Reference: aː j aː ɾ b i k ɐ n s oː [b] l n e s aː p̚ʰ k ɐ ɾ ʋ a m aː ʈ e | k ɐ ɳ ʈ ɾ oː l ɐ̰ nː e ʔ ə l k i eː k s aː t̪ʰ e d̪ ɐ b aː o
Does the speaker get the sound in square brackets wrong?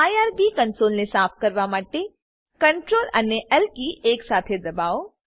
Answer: yes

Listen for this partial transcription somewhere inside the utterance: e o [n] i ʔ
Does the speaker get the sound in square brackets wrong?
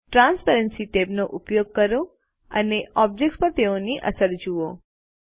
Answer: no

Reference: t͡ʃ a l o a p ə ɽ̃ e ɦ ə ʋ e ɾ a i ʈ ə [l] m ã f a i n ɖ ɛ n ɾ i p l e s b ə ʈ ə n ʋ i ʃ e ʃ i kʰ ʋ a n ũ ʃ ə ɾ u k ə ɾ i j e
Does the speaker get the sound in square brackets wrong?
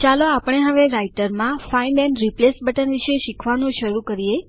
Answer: yes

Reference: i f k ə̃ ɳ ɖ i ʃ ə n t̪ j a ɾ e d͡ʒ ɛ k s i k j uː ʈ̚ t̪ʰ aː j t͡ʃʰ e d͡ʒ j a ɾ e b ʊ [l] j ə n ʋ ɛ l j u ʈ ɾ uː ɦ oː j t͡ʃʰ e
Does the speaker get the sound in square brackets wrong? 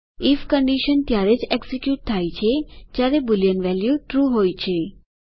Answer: no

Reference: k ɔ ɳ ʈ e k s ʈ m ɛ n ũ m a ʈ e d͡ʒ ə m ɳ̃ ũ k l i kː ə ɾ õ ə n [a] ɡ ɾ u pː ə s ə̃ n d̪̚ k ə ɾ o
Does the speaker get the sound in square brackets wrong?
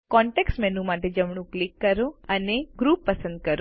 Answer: yes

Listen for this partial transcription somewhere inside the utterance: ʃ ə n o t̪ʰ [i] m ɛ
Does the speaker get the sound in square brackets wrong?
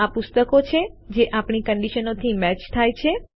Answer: no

